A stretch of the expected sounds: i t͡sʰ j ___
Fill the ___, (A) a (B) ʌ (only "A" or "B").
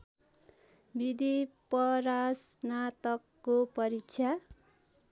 A